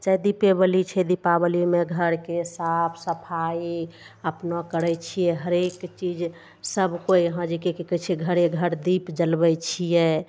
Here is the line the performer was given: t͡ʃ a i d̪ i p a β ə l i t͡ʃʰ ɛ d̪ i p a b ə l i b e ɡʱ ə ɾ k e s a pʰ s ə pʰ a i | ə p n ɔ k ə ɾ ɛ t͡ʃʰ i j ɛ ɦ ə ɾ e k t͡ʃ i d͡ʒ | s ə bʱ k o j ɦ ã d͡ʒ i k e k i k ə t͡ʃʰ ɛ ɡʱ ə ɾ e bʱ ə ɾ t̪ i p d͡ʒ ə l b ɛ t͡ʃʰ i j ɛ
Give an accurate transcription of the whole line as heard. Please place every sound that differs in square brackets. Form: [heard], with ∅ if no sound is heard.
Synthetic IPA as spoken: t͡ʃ a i d̪ i p [e] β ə l i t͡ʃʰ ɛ d̪ i p a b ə l i [m] e ɡʱ ə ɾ k e s a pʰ s ə pʰ a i | ə p n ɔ k ə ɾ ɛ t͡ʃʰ i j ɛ ɦ ə ɾ e k t͡ʃ i d͡ʒ | s ə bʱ k o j ɦ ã d͡ʒ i k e k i k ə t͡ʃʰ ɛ ɡʱ ə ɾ e [ɡʱ] ə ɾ [d̪] i p d͡ʒ ə l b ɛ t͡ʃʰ i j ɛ